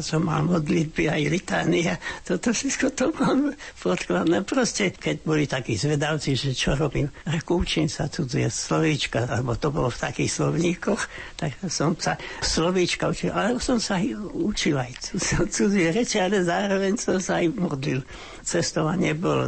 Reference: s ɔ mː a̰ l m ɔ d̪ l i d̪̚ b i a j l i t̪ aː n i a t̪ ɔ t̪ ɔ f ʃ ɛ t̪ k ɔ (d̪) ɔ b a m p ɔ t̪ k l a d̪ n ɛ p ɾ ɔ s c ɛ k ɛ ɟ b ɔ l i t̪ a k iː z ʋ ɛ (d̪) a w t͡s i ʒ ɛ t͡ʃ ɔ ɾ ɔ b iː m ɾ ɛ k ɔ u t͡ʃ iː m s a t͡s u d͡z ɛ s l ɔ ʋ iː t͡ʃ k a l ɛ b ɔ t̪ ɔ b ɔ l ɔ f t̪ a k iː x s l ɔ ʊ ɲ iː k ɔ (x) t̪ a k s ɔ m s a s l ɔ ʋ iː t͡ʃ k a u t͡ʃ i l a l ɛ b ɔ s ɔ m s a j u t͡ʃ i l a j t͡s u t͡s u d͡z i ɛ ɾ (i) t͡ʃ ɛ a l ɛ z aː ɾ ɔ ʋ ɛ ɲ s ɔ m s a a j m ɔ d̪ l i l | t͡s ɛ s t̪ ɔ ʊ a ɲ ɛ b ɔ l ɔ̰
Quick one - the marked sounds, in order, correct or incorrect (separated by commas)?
incorrect, correct, correct, incorrect